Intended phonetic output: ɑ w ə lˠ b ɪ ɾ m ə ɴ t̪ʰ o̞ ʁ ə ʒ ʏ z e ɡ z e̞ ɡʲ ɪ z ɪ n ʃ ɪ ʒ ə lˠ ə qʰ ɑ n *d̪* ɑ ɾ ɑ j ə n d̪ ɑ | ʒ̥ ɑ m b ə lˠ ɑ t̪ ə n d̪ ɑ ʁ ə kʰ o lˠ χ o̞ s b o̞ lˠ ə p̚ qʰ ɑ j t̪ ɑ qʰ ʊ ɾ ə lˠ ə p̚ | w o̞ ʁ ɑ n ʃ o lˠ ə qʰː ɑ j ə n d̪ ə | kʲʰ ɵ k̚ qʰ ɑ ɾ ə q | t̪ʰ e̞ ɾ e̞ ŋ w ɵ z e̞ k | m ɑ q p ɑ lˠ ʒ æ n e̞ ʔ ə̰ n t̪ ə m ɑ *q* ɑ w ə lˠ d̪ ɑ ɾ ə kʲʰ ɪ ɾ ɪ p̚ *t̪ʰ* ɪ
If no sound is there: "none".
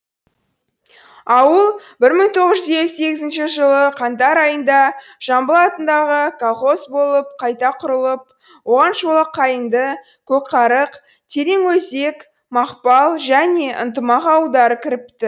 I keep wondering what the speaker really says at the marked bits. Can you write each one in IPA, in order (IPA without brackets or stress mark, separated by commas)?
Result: t̪, q, t̪